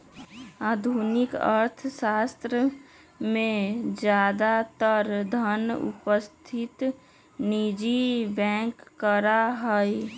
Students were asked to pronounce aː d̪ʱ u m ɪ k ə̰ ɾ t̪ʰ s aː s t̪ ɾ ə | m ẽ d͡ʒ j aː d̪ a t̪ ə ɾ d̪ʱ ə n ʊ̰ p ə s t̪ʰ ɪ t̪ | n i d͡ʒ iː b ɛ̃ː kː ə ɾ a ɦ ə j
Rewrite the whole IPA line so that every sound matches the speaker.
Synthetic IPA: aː d̪ʱ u n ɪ k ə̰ ɾ t̪ʰ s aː s t̪ ɾ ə | m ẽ d͡ʒ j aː d̪ a t̪ ə ɾ d̪ʱ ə n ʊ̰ p ə s t̪ʰ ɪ t̪ | n i d͡ʒ i b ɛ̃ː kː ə ɾ a ɦ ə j